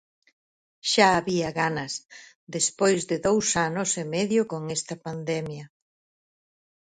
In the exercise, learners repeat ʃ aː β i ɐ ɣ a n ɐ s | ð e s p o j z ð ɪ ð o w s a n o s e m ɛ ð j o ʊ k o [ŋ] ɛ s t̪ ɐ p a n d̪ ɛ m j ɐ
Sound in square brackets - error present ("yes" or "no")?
no